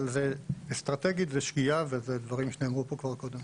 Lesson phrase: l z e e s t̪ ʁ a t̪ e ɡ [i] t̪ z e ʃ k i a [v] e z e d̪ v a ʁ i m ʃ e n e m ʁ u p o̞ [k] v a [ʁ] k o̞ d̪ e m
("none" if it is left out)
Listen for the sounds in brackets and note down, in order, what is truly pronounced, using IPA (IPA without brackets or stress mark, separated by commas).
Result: i, v, k, ʁ